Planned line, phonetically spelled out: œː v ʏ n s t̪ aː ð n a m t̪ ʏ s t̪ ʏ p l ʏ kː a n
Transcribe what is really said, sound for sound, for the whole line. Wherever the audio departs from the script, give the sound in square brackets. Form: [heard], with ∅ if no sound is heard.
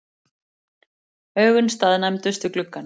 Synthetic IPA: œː [ɣ] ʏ n s t̪ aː ð n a m t̪ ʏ s t̪ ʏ [k] l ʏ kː a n